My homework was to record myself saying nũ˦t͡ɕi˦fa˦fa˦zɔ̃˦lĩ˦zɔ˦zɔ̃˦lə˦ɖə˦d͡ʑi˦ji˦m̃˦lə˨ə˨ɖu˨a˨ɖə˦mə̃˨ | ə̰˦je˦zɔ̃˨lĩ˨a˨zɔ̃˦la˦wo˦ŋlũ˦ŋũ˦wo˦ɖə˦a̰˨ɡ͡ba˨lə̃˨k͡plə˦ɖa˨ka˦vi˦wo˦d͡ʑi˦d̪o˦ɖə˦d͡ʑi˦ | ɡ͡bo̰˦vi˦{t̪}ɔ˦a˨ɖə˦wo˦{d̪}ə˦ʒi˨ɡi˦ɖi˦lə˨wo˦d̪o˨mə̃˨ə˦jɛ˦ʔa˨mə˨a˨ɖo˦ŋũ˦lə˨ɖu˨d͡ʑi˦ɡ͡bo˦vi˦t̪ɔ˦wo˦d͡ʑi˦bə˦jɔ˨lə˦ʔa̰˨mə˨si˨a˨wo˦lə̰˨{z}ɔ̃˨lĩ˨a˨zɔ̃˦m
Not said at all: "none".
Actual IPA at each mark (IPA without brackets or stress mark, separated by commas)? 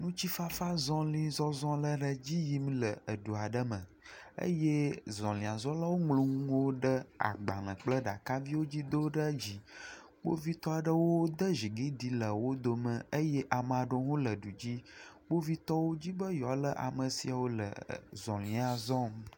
t̪, d̪, z